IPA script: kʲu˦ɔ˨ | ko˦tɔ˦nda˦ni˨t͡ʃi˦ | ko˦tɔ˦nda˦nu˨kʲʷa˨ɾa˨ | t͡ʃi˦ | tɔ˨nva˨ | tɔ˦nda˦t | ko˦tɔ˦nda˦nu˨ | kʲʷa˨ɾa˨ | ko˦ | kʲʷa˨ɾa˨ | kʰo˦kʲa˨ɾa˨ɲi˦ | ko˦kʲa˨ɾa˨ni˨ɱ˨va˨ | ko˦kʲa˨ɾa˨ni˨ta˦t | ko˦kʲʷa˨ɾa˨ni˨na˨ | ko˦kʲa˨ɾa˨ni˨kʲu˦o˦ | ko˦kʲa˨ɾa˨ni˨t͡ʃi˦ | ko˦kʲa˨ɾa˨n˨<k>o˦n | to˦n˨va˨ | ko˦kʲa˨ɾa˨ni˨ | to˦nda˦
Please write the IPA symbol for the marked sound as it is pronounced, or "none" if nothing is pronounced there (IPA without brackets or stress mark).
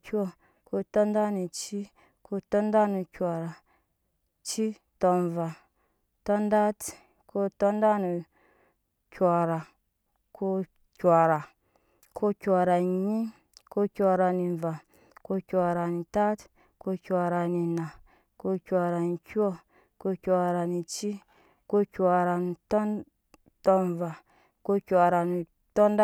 t